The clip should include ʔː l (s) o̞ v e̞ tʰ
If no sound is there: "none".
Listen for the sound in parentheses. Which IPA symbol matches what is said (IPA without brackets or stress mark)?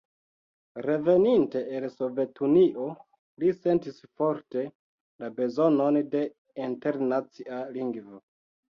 s